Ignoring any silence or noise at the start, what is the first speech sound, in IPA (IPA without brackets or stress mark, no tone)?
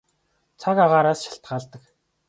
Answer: t͡sʰ